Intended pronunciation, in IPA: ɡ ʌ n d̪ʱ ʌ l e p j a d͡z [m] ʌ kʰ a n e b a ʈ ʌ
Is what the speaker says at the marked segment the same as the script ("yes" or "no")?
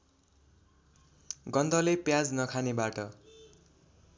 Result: no